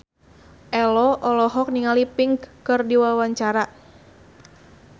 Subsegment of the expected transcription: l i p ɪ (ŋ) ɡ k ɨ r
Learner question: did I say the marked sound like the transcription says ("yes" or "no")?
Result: yes